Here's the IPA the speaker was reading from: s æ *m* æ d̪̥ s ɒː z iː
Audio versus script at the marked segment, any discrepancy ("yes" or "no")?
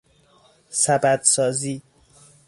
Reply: yes